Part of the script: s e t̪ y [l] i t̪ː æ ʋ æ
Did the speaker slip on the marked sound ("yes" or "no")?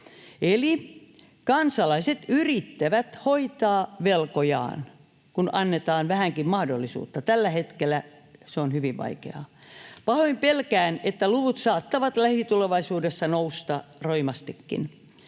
yes